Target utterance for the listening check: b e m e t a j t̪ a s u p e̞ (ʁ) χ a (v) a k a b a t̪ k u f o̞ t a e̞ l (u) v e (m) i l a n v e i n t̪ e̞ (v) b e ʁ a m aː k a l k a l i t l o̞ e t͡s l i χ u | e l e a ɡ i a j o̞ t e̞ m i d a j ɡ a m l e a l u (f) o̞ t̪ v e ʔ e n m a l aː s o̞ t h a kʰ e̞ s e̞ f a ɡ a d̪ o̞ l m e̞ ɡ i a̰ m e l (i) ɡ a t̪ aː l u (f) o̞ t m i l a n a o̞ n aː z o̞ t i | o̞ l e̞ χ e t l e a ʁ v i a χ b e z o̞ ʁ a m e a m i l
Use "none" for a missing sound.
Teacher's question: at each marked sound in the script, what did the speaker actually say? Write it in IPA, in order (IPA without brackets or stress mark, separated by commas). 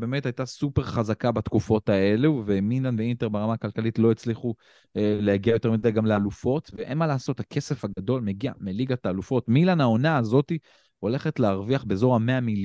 ʁ, z, u, m, ʁ, f, i, f